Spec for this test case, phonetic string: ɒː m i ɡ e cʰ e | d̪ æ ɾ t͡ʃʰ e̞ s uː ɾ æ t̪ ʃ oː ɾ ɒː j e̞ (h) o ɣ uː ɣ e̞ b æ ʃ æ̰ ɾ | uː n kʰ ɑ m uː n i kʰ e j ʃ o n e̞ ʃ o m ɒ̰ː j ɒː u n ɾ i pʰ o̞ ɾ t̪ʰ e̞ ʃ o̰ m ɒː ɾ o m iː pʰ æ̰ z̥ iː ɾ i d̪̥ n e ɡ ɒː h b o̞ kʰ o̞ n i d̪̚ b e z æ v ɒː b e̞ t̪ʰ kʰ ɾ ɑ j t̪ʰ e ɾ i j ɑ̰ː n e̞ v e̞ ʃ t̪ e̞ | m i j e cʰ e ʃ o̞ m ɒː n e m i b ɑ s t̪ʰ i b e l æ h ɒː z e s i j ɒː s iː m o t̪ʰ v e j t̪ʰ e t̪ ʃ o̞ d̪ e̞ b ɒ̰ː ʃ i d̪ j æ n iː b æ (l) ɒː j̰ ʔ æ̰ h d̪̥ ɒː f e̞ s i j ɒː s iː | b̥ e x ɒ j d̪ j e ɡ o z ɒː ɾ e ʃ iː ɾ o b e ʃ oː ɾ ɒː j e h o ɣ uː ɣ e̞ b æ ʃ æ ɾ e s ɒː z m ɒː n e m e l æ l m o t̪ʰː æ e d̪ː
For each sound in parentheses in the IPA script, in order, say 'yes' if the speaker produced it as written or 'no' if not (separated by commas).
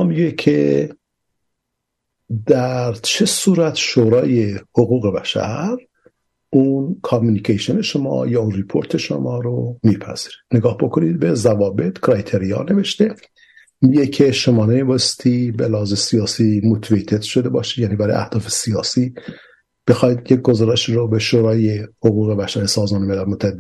yes, no